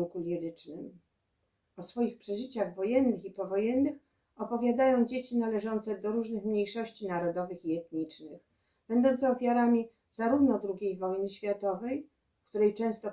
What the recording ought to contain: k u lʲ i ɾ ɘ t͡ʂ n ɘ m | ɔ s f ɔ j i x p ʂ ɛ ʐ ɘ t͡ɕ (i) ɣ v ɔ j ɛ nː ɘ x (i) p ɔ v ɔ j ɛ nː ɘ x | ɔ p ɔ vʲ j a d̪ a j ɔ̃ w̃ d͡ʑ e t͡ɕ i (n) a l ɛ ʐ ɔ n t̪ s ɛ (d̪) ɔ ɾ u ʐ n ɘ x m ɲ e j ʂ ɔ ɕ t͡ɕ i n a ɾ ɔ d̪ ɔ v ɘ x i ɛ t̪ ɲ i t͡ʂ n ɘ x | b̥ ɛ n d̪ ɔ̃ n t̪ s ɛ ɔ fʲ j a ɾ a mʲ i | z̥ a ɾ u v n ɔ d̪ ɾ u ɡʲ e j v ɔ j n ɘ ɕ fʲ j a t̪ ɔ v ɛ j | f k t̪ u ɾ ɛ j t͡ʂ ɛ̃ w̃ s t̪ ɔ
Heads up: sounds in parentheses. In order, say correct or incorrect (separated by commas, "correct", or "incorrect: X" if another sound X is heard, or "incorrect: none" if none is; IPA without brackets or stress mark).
incorrect: a, correct, correct, correct